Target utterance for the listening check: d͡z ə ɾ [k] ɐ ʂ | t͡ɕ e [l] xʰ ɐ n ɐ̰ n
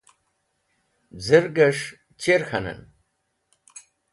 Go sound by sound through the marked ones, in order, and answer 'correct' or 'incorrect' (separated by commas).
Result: incorrect, incorrect